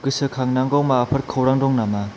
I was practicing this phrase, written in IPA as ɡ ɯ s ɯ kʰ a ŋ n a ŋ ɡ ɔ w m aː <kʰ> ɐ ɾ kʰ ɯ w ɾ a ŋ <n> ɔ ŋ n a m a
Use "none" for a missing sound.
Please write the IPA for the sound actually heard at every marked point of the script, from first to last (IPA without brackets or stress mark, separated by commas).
pʰ, d